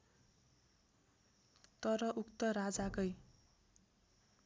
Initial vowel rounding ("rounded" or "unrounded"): unrounded